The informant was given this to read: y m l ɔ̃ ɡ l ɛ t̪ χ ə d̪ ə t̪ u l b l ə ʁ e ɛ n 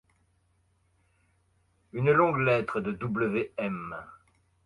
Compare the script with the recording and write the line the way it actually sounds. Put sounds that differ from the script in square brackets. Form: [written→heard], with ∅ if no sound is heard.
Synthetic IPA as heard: y [m→n] l ɔ̃ ɡ l ɛ t̪ χ ə d̪ ə [t̪→d̪] u [l→∅] b l ə [ʁ→v] e ɛ [n→m]